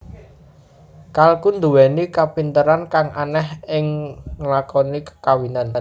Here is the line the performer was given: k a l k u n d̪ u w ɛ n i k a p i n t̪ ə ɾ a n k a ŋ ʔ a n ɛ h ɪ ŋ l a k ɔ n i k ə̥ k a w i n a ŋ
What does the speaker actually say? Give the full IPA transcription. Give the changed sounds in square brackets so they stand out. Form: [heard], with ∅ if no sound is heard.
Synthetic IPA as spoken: k a l k u n d̪ u w ɛ n i k a p i n t̪ ə ɾ a n k a ŋ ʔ a n ɛ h ɪ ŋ l a k ɔ n i k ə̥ k a w i n a [n]